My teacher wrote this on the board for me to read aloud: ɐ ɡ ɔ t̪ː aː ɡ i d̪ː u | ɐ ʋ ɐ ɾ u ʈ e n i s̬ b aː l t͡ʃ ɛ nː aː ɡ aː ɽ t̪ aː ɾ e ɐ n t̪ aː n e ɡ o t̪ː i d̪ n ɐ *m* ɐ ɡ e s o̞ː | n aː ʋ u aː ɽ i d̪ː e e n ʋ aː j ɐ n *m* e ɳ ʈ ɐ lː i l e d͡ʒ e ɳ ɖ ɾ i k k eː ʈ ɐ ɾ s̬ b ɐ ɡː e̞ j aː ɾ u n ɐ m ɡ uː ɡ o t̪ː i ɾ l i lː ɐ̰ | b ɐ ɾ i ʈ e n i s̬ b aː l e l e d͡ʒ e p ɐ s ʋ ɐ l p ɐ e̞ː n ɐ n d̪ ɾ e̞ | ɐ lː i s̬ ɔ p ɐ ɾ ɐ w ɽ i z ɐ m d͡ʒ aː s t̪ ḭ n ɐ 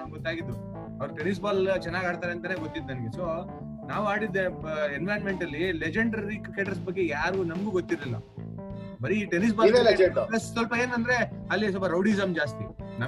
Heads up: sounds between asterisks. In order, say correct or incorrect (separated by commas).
incorrect, correct